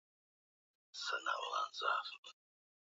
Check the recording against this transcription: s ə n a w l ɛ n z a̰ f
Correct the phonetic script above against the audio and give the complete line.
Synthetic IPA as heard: s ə n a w l a n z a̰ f